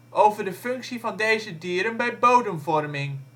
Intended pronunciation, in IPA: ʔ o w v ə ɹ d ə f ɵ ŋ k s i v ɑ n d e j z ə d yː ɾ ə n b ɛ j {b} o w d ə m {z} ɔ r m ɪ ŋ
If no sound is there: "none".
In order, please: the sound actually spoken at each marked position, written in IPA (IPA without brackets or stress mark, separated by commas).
b, v